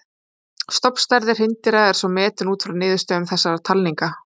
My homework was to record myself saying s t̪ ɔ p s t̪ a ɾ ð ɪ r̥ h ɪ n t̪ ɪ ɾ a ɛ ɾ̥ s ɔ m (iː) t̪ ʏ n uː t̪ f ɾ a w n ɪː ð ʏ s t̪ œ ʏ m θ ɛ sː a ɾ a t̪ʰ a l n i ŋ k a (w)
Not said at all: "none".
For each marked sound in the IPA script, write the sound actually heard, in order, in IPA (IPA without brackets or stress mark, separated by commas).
ɛː, none